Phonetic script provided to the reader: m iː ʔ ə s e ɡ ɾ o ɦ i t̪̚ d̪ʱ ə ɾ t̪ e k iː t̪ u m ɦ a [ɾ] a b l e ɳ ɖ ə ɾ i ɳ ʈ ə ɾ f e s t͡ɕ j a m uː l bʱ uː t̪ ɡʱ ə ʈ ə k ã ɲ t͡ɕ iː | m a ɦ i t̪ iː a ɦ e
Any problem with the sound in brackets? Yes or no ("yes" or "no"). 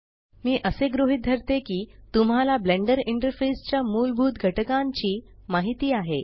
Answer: yes